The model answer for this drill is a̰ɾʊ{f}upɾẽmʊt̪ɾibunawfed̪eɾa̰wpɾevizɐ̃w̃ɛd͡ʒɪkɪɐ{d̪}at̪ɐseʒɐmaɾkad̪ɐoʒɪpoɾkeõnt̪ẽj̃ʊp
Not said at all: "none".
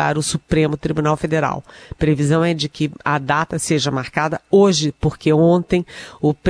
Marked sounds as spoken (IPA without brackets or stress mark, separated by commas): s, d̪